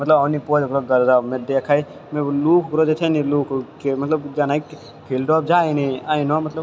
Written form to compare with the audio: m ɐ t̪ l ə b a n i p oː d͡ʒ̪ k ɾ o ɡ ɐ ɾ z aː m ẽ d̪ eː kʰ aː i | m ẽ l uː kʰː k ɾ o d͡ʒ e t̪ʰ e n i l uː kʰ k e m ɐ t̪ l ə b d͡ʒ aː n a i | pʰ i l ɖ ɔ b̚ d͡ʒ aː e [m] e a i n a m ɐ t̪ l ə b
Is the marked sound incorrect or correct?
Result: incorrect